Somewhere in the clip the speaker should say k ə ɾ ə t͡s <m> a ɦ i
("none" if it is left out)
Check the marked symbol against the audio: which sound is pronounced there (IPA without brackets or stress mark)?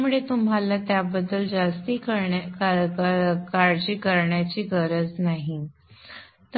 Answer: n